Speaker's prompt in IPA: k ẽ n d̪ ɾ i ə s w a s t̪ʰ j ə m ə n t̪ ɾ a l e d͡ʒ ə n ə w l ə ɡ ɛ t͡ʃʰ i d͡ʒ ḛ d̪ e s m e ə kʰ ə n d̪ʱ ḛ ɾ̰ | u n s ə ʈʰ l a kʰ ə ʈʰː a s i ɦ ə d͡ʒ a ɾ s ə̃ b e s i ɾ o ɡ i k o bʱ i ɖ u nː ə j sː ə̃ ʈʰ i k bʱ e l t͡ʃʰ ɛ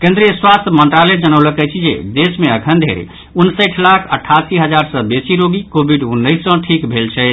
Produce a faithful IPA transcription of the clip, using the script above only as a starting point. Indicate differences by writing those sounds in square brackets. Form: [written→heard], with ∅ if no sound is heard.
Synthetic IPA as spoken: k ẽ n d̪ ɾ i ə s w a s t̪ʰ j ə m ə n t̪ ɾ a l e d͡ʒ ə n ə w l ə [ɡ→k] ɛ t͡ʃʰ i d͡ʒ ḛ d̪ e s m e ə kʰ ə n d̪ʱ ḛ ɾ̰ | u n s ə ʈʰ l a kʰ ə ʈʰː a s i ɦ ə d͡ʒ a ɾ s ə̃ b e s i ɾ o ɡ i k o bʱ i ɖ u nː ə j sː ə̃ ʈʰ i k bʱ e l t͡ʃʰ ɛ

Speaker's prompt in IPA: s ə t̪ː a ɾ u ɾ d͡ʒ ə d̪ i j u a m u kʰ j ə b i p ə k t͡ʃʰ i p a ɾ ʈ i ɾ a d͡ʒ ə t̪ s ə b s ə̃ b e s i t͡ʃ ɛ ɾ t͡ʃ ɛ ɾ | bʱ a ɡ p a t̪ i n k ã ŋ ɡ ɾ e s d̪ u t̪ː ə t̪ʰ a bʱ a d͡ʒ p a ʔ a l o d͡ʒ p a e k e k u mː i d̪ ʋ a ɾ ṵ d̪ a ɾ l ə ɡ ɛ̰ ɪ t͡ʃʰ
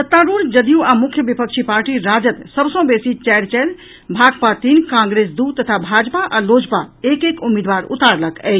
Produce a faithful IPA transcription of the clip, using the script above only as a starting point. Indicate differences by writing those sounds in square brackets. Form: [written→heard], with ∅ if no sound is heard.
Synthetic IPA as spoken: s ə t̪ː a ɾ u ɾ d͡ʒ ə d̪ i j u a m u kʰ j ə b i p ə k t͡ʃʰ i p a ɾ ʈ i ɾ a d͡ʒ ə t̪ s ə b s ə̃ b e s i t͡ʃ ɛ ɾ t͡ʃ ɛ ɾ | bʱ a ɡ p a t̪ i n k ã ŋ ɡ ɾ e s d̪ u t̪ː ə t̪ʰ a bʱ a d͡ʒ p a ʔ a l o d͡ʒ p a e k e k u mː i d̪ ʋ a ɾ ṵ [d̪→t̪] a ɾ l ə [ɡ→k] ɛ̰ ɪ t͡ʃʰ

